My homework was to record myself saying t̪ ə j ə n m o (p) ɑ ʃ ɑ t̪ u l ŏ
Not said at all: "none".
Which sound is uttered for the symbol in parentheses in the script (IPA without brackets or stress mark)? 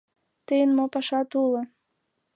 p